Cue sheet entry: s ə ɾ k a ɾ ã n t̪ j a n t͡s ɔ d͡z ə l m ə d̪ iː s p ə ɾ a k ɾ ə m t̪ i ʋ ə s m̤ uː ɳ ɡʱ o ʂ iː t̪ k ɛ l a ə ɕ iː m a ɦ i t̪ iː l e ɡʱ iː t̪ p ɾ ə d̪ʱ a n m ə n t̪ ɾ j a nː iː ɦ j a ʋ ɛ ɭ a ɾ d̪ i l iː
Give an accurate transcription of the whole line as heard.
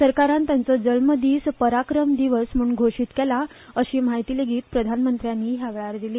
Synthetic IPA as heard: s ə ɾ k a ɾ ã n t̪ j a n t͡s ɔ d͡z ə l m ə d̪ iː s p ə ɾ a k ɾ ə m d̪ i ʋ ə s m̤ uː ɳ ɡʱ o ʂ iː t̪ k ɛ l a ə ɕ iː m a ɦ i t̪ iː l e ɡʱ iː t̪ p ɾ ə d̪ʱ a n m ə n t̪ ɾ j a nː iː ɦ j a ʋ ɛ ɭ a ɾ d̪ i l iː